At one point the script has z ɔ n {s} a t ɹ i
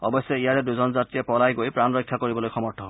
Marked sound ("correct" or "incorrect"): incorrect